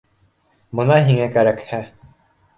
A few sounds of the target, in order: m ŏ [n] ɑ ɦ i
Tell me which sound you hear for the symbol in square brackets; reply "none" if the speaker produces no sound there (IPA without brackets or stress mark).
n